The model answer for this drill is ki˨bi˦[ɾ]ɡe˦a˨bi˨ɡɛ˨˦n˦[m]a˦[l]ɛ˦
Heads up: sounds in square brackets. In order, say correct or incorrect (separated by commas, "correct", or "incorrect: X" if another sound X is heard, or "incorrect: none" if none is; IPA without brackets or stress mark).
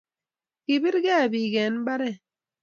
correct, incorrect: b, incorrect: ɾ